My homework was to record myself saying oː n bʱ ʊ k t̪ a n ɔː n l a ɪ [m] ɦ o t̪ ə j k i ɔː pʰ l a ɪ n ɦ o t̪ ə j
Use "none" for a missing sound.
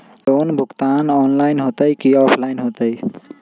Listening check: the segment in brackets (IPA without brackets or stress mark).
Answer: n